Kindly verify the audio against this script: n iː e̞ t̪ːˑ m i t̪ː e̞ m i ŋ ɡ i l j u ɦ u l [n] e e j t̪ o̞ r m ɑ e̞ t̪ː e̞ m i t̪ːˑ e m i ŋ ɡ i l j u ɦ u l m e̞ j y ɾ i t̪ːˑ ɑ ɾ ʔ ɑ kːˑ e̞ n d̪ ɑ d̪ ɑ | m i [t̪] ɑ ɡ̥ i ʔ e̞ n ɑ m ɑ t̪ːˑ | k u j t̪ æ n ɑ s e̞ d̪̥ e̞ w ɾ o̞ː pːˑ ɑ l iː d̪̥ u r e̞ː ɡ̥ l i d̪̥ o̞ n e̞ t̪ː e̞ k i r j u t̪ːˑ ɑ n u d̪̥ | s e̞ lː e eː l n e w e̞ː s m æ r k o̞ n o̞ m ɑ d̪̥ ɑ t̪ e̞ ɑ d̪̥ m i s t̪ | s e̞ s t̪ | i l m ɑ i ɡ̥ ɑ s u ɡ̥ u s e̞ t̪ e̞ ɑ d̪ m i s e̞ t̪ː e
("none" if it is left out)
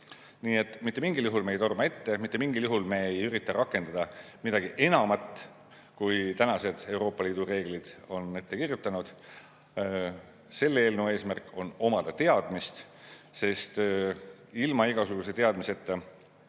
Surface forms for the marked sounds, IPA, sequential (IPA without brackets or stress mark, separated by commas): m, d̪